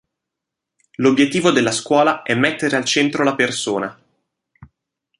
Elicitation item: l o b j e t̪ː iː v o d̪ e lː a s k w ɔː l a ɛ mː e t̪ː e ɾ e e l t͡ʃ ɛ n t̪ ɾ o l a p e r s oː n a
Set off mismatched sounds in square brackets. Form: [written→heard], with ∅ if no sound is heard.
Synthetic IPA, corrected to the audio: l o b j e t̪ː iː v o d̪ e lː a s k w ɔː l a ɛ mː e t̪ː e ɾ e [e→a] l t͡ʃ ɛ n t̪ ɾ o l a p e r s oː n a